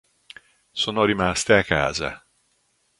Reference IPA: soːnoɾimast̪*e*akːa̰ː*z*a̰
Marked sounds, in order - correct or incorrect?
correct, correct

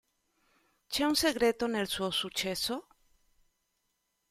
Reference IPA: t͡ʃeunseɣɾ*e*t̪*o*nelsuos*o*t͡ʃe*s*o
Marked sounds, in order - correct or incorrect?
correct, correct, incorrect: u, correct

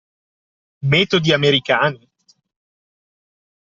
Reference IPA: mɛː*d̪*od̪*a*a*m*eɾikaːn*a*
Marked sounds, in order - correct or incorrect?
incorrect: t̪, incorrect: i, correct, incorrect: i

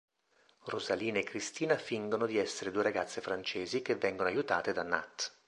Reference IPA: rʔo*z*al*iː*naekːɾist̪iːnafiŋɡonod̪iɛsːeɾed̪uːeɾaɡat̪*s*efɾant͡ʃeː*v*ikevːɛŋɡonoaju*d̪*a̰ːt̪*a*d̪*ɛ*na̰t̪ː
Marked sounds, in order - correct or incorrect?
correct, correct, incorrect: sː, incorrect: z, incorrect: t̪, incorrect: e, incorrect: a

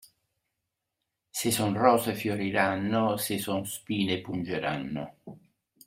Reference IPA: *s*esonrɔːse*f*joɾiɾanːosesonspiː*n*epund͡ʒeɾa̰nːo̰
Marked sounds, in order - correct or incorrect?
correct, correct, correct

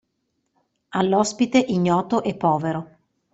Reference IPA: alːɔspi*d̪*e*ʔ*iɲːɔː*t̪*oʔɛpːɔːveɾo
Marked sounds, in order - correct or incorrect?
incorrect: t̪, correct, correct

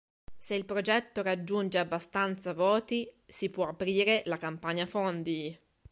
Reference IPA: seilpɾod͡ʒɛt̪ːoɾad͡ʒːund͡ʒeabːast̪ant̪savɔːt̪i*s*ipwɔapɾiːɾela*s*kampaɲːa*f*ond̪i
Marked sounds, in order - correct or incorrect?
correct, incorrect: none, correct

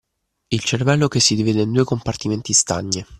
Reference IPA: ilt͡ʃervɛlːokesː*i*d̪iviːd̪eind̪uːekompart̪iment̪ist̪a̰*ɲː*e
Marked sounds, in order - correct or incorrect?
correct, correct

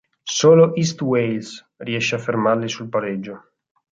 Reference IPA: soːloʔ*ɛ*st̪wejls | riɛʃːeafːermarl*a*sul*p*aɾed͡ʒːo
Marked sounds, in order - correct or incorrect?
incorrect: i, incorrect: i, correct

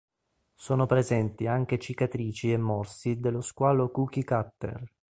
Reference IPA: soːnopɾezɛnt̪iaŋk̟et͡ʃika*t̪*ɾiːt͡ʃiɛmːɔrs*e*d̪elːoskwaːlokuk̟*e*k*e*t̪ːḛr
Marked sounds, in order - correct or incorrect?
correct, incorrect: i, incorrect: i, incorrect: a

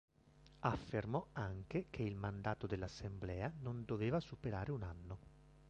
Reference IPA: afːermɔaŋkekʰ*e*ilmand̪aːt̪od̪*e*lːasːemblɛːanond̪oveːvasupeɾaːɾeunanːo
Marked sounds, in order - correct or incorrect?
correct, correct

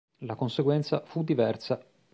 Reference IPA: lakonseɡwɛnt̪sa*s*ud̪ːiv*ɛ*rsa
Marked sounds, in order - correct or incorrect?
incorrect: f, correct

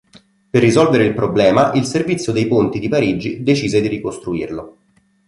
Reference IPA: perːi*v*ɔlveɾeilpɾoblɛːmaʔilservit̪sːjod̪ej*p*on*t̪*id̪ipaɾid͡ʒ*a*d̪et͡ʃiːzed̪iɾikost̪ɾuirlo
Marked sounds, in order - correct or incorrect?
incorrect: z, correct, correct, incorrect: i

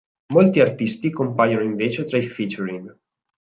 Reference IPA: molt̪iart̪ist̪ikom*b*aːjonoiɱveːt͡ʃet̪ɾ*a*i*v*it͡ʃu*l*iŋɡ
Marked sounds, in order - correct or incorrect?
incorrect: p, correct, incorrect: f, incorrect: ɾ

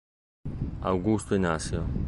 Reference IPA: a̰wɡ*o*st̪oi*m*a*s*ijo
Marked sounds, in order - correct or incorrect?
incorrect: u, incorrect: n, correct

